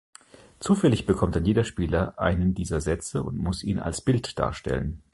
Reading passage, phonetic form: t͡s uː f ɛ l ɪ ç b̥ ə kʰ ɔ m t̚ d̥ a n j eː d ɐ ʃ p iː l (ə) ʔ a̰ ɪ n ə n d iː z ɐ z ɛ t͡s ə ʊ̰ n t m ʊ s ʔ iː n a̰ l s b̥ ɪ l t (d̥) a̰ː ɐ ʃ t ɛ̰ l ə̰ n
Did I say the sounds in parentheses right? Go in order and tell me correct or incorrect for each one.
incorrect: ɐ, correct

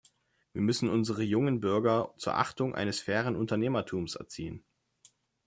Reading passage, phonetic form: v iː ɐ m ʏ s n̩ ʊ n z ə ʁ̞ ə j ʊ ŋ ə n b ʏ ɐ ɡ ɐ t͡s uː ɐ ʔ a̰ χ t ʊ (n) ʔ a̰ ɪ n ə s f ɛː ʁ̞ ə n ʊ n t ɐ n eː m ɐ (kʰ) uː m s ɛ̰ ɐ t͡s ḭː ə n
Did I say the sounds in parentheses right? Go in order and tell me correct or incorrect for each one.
incorrect: ŋ, incorrect: tʰ

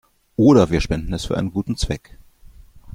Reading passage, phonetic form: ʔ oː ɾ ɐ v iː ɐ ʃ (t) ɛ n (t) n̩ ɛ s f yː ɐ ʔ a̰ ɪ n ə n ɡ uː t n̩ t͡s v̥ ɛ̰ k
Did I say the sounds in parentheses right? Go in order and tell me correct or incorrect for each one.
incorrect: p, incorrect: d

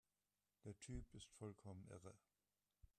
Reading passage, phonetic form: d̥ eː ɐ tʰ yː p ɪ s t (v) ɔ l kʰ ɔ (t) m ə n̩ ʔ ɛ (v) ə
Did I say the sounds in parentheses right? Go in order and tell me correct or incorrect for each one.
incorrect: f, incorrect: none, incorrect: ʁ

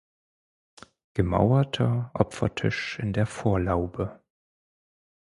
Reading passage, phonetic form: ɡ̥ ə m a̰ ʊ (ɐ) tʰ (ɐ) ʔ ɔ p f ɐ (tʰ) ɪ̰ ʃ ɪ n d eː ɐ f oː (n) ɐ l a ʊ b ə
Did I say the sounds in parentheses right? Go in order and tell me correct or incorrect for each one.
correct, correct, correct, incorrect: none

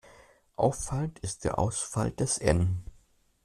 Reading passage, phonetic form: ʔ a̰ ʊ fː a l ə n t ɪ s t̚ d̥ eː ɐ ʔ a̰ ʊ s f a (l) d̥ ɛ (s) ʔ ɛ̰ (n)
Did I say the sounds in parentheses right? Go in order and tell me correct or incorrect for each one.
correct, correct, correct

